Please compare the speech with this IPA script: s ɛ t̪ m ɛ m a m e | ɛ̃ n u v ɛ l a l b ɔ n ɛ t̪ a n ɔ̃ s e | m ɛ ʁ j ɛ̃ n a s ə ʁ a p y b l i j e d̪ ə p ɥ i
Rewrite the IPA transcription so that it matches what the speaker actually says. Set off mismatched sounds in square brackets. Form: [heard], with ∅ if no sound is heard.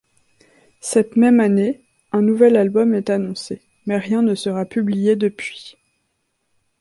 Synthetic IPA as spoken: s ɛ t̪ m ɛ m a [n] e | ɛ̃ n u v ɛ l a l b ɔ [m] ɛ t̪ a n ɔ̃ s e | m ɛ ʁ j ɛ̃ n [ə] s ə ʁ a p y b l i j e d̪ ə p ɥ i